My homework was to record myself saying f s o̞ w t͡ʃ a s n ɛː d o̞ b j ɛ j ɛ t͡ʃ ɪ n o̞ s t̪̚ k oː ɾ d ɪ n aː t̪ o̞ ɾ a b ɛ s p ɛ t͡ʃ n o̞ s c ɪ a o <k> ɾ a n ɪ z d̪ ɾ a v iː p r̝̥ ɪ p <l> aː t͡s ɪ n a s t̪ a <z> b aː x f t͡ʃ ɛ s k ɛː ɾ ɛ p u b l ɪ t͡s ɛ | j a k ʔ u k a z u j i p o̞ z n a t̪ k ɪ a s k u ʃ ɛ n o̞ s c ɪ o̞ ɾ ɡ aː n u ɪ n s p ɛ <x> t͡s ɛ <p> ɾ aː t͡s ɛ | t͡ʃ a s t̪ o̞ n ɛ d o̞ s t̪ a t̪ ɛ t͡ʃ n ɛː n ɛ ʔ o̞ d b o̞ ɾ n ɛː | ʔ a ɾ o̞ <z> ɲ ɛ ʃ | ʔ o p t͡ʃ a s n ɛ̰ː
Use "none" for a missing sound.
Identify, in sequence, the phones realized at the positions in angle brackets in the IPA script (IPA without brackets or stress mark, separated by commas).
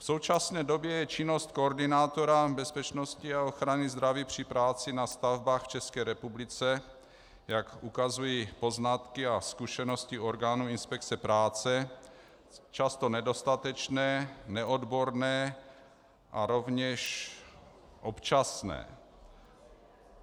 x, ɾ, v, k, p, v